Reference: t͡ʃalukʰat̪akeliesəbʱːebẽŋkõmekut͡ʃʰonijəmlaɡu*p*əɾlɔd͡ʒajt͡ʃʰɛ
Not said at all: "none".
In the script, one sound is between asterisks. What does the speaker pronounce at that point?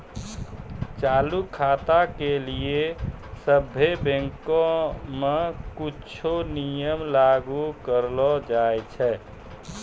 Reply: k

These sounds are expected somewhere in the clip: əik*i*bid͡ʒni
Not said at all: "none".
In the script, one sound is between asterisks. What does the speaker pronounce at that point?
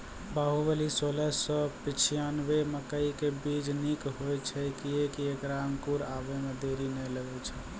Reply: e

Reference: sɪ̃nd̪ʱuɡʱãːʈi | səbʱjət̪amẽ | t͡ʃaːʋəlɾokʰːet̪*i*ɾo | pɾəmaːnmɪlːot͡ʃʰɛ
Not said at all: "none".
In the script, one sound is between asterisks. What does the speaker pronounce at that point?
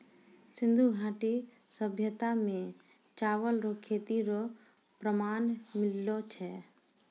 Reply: i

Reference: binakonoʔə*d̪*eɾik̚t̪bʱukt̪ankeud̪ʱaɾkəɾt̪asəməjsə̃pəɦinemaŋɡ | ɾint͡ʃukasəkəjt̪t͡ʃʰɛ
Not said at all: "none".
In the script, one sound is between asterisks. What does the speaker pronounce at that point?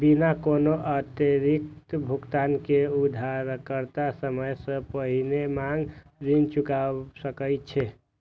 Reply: t̪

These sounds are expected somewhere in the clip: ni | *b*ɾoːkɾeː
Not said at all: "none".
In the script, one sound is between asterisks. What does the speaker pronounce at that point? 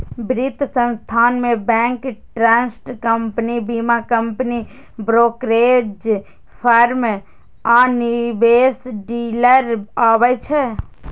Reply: b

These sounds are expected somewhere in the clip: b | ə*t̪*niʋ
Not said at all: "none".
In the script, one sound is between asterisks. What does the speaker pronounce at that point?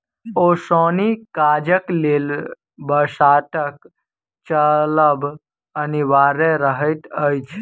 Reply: none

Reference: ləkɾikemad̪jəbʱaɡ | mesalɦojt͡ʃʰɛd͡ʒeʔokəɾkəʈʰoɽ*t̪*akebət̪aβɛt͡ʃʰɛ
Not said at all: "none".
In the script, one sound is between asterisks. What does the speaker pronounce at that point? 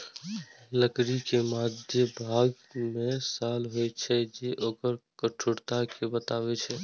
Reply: t̪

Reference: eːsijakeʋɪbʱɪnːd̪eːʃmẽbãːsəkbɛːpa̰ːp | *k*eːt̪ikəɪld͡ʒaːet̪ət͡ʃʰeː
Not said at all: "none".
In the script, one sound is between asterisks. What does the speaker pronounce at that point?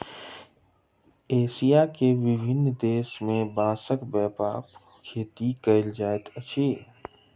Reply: kʰ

